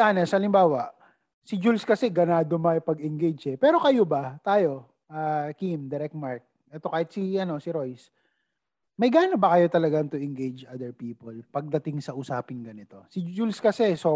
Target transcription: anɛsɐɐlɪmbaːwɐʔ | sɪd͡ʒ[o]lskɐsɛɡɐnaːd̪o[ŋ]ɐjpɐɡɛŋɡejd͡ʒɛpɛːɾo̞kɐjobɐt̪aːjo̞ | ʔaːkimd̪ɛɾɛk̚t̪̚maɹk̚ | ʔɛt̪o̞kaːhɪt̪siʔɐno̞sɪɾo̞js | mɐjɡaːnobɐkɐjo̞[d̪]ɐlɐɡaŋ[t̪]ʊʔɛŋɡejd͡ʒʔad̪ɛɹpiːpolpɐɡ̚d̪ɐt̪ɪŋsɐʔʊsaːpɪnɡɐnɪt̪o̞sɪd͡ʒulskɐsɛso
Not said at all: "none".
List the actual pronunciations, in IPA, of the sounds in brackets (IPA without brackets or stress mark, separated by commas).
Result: u, m, t̪, t̪